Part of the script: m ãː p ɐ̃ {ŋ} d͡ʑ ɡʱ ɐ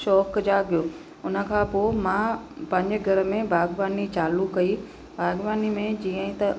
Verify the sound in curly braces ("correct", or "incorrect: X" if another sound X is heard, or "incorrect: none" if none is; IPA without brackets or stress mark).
incorrect: ɲ